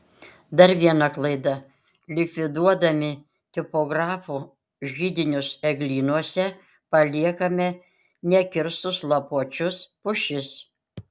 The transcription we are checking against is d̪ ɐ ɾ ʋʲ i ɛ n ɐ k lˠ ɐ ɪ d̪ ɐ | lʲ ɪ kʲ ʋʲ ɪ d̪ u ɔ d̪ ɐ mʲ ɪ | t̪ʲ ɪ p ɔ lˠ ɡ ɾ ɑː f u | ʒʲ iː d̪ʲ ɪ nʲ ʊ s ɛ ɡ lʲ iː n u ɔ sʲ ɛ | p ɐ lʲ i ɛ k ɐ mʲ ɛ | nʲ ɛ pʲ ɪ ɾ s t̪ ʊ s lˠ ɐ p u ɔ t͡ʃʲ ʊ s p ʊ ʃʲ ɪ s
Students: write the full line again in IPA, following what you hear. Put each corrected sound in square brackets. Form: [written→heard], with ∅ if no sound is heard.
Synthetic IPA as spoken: d̪ ɐ ɾ ʋʲ i ɛ n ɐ k lˠ ɐ ɪ d̪ ɐ | lʲ ɪ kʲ ʋʲ ɪ d̪ u ɔ d̪ ɐ mʲ ɪ | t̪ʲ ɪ p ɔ [lˠ→∅] ɡ ɾ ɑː f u | ʒʲ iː d̪ʲ ɪ nʲ ʊ s ɛ ɡ lʲ iː n u ɔ sʲ ɛ | p ɐ lʲ i ɛ k ɐ mʲ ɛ | nʲ ɛ [pʲ→kʲ] ɪ ɾ s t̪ ʊ s lˠ ɐ p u ɔ t͡ʃʲ ʊ s p ʊ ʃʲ ɪ s